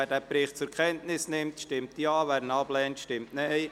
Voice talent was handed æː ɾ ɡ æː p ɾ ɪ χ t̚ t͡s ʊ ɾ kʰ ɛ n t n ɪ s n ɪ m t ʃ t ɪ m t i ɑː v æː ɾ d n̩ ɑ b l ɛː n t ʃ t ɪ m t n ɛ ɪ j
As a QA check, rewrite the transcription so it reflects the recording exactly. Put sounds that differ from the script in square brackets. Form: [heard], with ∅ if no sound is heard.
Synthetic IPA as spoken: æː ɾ [d] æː p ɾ ɪ χ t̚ t͡s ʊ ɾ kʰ ɛ n t n ɪ s n ɪ m t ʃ t ɪ m t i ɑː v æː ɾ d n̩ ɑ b l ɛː n t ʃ t ɪ m t n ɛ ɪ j